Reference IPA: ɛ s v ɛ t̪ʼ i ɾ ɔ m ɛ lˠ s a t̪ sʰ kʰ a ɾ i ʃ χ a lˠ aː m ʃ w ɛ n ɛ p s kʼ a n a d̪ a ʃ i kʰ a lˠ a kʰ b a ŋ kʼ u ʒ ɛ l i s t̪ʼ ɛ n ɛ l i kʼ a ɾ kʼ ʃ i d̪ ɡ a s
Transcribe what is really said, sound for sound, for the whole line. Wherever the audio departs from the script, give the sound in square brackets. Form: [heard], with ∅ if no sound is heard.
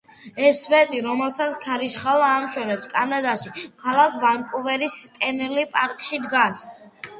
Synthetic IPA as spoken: ɛ s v ɛ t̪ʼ i ɾ ɔ m ɛ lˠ s a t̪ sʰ kʰ a ɾ i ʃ χ a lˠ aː m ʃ w ɛ n ɛ p s kʼ a n a d̪ a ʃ i kʰ a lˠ a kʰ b a ŋ kʼ u [v] ɛ [ɾ] i s t̪ʼ ɛ n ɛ l i [pʼ] a ɾ kʼ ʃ i d̪ ɡ a s

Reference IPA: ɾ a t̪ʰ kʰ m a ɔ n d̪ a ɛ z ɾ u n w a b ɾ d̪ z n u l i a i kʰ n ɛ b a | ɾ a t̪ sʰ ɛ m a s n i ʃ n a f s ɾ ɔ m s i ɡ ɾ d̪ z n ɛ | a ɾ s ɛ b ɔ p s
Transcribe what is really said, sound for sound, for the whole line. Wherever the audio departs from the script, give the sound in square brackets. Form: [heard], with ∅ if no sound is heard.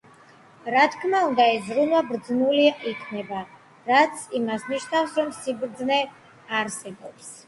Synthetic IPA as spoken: ɾ a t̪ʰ kʰ m a [u] n d̪ a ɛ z ɾ u n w a b ɾ d̪ z n u l i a i kʰ n ɛ b a | ɾ a t̪ sʰ [i] m a s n i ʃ n a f s ɾ ɔ m s i [b] ɾ d̪ z n ɛ | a ɾ s ɛ b ɔ p s

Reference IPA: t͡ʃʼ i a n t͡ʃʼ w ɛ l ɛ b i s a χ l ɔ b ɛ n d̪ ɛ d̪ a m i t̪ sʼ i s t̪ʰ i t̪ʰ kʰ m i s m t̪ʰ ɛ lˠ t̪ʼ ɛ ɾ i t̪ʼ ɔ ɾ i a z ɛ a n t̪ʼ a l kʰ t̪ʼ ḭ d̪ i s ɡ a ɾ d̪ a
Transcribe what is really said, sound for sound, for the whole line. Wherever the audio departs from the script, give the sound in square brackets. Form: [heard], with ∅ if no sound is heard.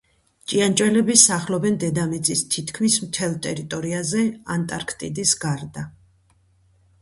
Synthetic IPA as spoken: t͡ʃʼ i a n t͡ʃʼ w ɛ l ɛ b i s a χ l ɔ b ɛ n d̪ ɛ d̪ a m i t̪ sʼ i s t̪ʰ i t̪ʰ kʰ m i s m t̪ʰ ɛ lˠ t̪ʼ ɛ ɾ i t̪ʼ ɔ ɾ i a z ɛ a n t̪ʼ a [ɾ] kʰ t̪ʼ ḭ d̪ i s ɡ a ɾ d̪ a

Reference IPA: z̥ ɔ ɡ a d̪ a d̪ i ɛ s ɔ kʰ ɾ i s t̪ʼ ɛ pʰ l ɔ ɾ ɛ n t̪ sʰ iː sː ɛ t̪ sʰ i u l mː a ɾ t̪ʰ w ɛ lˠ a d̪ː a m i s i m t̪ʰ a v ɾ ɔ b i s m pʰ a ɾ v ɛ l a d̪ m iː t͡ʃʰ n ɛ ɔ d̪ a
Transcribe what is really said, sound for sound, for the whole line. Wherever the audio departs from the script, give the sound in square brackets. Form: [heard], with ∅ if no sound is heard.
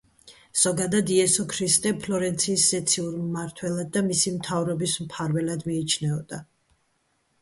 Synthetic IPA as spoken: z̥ ɔ ɡ a d̪ a d̪ i ɛ s ɔ kʰ ɾ i s t̪ʼ ɛ pʰ l ɔ ɾ ɛ n t̪ sʰ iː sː ɛ t̪ sʰ i u [ɾ] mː a ɾ t̪ʰ w ɛ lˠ a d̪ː a m i s i m t̪ʰ a v ɾ ɔ b i s m pʰ a ɾ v ɛ l a d̪ m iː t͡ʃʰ n ɛ ɔ d̪ a

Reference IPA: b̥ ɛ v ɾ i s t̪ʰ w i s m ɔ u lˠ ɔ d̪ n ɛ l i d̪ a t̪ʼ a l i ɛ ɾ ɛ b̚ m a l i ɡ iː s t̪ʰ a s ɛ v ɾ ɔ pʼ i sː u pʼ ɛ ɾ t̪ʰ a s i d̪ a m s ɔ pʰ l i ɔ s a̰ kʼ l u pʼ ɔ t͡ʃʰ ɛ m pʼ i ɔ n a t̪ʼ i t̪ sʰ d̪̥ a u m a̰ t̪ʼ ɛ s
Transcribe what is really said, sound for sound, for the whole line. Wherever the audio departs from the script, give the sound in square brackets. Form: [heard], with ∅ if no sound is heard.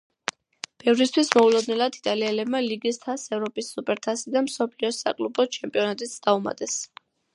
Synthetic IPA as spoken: b̥ ɛ v ɾ i s t̪ʰ w i s m ɔ u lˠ ɔ d̪ n ɛ l [a] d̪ [i] t̪ʼ a l i ɛ [l] ɛ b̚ m a l i ɡ [i] s t̪ʰ a s ɛ v ɾ ɔ pʼ i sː u pʼ ɛ ɾ t̪ʰ a s i d̪ a m s ɔ pʰ l i ɔ s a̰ kʼ l u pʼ ɔ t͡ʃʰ ɛ m pʼ i ɔ n a t̪ʼ i t̪ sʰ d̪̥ a u m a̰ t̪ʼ ɛ s

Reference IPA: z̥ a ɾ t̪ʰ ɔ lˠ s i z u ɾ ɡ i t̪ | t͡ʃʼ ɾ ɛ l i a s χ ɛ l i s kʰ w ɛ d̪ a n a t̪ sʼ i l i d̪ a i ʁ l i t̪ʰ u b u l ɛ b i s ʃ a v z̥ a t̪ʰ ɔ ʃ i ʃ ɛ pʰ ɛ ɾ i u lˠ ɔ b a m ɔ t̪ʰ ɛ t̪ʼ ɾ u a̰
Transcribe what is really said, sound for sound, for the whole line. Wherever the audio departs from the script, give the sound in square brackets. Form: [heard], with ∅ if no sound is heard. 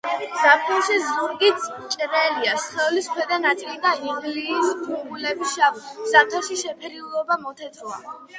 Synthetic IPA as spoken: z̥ a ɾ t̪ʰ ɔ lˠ [ʃ] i z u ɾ ɡ i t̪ | t͡ʃʼ ɾ ɛ l i a s χ ɛ l i s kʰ w ɛ d̪ a n a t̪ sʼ i l i d̪ a i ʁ l i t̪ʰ u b u l ɛ b i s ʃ a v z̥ a t̪ʰ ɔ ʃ i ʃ ɛ pʰ ɛ ɾ i u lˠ ɔ b a m ɔ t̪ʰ ɛ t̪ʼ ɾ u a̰

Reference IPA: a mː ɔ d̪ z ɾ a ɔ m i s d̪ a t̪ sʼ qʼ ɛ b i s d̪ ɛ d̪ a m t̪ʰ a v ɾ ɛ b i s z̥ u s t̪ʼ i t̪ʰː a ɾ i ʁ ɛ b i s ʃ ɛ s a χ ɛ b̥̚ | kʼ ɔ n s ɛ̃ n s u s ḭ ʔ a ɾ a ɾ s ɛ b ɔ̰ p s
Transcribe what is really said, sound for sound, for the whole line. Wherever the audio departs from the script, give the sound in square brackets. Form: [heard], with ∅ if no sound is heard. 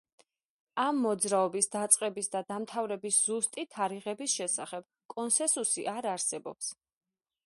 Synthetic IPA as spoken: a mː ɔ d̪ z ɾ a ɔ [b] i s d̪ a t̪ sʼ qʼ ɛ b i s d̪ [a] d̪ a m t̪ʰ a v ɾ ɛ b i s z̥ u s t̪ʼ i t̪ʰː a ɾ i ʁ ɛ b i s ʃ ɛ s a χ ɛ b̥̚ | kʼ ɔ n s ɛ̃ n s u s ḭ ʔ a ɾ a ɾ s ɛ b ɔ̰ p s

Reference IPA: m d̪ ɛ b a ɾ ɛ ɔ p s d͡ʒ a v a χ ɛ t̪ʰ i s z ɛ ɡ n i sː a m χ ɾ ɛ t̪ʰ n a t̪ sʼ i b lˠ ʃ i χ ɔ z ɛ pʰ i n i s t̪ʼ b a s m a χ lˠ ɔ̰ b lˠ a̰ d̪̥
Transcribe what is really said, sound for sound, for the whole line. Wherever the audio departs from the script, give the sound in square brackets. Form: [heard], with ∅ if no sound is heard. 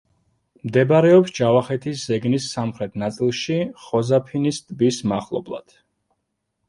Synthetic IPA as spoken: m d̪ ɛ b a ɾ ɛ ɔ p s d͡ʒ a v a χ ɛ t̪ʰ i s z ɛ ɡ n i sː a m χ ɾ ɛ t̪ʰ n a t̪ sʼ i [∅] lˠ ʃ i χ ɔ z [a] pʰ i n i s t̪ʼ b [i] s m a χ lˠ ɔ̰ b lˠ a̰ d̪̥

